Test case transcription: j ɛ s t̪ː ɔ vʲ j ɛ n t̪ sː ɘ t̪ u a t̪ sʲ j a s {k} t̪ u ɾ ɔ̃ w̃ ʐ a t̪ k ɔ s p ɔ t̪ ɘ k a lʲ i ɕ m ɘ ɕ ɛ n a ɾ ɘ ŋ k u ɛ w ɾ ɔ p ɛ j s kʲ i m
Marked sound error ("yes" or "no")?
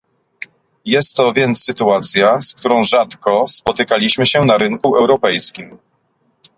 no